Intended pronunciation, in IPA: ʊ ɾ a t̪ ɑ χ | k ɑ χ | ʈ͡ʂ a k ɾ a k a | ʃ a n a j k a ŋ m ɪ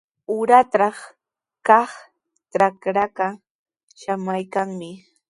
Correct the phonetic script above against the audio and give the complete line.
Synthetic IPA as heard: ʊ ɾ a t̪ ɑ χ | k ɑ χ | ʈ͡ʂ a k ɾ a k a | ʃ a m a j k a ŋ m ɪ